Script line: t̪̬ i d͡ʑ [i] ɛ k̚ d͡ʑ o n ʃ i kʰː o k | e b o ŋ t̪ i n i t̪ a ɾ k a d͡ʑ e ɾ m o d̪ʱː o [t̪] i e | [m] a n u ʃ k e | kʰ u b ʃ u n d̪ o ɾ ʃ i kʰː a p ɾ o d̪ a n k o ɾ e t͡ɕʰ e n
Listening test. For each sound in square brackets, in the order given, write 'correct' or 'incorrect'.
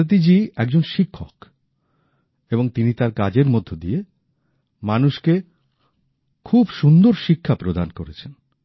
correct, incorrect, correct

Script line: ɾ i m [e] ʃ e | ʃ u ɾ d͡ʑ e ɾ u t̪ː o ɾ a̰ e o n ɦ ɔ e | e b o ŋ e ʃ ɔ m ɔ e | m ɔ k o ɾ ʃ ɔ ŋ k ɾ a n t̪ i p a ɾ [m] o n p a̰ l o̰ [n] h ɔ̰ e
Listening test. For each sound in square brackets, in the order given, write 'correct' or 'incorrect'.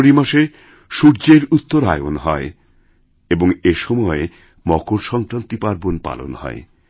incorrect, incorrect, correct

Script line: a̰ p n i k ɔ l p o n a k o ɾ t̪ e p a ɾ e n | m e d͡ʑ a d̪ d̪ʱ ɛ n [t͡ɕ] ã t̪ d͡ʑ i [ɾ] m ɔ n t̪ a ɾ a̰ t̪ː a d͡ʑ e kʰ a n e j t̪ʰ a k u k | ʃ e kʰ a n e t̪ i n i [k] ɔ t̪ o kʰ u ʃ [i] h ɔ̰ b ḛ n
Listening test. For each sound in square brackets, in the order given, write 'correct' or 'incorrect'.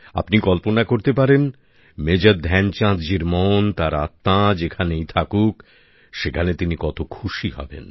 correct, correct, correct, correct

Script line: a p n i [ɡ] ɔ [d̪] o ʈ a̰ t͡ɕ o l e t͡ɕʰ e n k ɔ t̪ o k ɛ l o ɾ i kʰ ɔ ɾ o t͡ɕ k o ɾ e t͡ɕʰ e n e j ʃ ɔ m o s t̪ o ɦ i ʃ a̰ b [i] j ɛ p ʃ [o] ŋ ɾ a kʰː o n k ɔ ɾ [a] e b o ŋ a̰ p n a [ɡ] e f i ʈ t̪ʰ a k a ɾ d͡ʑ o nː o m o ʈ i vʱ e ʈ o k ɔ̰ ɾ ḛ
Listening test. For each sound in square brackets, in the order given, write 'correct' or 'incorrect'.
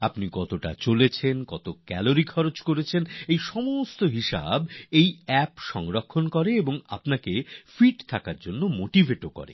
incorrect, incorrect, incorrect, incorrect, incorrect, incorrect

